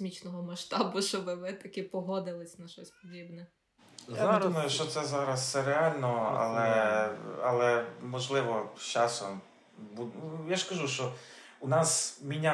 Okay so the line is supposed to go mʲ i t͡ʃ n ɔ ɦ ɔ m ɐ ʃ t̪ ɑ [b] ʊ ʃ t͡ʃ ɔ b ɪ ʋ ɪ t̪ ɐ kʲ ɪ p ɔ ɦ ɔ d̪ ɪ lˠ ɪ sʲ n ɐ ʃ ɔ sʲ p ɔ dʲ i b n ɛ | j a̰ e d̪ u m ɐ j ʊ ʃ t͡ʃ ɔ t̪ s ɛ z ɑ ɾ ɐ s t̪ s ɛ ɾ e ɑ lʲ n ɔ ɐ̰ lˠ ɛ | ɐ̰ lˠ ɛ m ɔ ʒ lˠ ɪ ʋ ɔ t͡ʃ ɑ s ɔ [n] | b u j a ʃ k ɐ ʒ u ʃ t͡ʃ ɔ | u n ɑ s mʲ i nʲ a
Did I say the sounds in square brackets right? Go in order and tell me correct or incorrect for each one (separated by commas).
correct, incorrect